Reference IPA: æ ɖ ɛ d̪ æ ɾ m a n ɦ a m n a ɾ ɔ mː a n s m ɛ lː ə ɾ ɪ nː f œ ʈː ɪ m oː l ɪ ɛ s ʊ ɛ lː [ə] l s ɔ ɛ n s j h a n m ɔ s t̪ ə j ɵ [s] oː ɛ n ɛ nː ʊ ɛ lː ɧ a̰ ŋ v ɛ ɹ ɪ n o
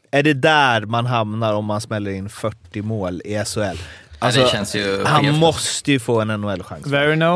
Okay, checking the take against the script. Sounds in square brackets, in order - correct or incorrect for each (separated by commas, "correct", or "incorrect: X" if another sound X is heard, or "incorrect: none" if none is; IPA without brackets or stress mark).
incorrect: a, incorrect: f